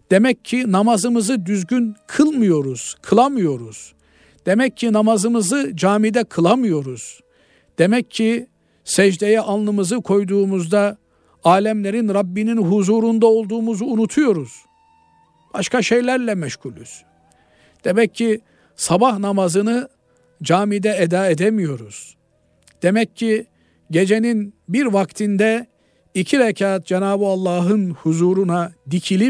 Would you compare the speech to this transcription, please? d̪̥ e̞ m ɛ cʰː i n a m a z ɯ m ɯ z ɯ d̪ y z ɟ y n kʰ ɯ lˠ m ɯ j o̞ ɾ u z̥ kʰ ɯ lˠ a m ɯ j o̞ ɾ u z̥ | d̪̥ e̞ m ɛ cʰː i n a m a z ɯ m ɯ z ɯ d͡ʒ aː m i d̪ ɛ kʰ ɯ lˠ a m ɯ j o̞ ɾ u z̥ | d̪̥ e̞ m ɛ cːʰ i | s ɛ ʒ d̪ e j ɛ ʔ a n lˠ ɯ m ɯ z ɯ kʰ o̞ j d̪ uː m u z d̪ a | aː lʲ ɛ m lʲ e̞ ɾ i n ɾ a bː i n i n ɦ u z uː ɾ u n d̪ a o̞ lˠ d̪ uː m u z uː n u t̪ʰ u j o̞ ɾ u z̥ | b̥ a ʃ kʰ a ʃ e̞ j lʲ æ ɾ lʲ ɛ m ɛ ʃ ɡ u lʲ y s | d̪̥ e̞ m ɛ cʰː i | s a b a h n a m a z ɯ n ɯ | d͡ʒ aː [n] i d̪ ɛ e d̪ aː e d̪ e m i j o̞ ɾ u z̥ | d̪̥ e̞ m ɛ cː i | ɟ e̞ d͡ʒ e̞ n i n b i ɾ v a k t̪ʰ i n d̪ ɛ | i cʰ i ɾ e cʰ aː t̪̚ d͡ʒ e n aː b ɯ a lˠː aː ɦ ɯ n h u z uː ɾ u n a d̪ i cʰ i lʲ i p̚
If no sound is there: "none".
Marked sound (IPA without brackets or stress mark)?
m